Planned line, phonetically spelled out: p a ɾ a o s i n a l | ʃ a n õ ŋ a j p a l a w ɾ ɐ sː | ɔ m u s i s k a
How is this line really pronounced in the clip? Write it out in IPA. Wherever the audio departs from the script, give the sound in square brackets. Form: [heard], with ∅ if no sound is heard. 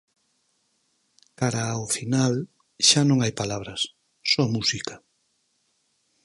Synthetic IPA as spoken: [k] a ɾ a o [f] i n a l | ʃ a n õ ŋ a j p a l a [β] ɾ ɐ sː | ɔ m u s i [∅] k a